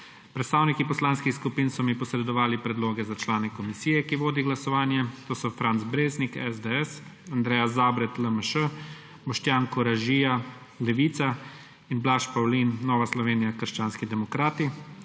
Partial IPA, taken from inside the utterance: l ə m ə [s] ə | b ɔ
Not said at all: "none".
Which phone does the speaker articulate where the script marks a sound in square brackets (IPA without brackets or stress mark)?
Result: ʃ